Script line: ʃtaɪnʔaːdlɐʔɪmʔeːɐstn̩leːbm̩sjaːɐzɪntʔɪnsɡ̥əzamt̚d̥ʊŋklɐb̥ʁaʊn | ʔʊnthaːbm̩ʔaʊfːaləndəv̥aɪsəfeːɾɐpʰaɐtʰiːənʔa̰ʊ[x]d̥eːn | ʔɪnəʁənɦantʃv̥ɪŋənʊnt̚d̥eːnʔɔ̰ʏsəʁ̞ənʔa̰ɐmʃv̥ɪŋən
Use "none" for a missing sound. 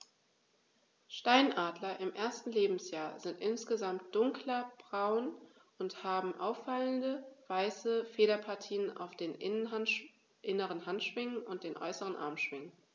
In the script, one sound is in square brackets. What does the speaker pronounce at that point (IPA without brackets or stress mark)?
f